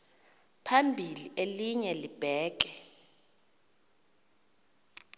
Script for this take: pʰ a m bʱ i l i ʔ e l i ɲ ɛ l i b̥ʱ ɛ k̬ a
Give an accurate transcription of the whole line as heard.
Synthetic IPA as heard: pʰ a m bʱ i l i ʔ e l i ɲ ɛ l i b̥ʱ ɛː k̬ ɛ